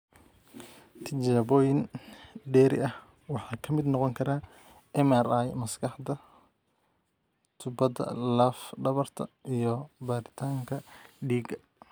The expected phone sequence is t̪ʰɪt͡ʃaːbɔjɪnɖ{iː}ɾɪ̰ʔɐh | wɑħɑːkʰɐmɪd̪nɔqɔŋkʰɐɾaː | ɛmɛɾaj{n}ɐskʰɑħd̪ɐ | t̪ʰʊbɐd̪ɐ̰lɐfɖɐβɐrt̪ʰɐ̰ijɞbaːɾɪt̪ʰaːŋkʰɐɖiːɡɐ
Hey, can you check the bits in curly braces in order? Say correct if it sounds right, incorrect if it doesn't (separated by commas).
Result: incorrect, incorrect